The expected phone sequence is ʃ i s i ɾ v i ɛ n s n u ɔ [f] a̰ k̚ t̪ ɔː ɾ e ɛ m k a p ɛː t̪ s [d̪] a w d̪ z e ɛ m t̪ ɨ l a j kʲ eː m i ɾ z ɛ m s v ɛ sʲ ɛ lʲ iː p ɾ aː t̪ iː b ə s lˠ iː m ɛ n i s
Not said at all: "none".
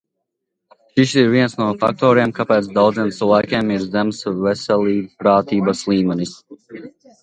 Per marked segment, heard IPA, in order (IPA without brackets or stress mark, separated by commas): f, d̪